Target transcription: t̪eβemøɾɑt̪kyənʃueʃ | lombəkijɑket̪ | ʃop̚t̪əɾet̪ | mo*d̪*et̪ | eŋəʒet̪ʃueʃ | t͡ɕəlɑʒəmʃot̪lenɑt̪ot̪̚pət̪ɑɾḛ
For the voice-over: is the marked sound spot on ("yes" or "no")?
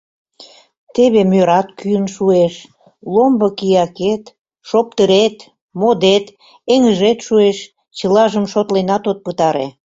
yes